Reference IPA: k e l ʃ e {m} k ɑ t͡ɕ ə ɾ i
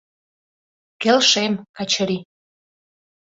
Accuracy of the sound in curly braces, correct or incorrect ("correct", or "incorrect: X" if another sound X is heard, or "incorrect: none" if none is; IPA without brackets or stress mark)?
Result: correct